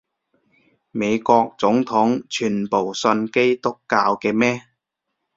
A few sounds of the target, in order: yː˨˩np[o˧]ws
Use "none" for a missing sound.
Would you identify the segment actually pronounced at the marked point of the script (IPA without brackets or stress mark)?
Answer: o˨˩